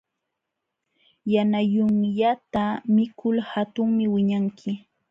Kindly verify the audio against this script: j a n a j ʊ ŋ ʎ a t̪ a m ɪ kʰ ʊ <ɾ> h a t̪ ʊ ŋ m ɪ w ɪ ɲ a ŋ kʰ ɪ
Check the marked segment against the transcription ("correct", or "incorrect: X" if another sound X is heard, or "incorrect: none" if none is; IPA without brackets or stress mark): incorrect: l